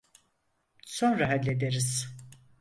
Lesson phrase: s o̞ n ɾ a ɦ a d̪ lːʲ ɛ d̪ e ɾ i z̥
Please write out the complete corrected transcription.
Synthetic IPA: s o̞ n ɾ a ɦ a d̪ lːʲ e d̪ e ɾ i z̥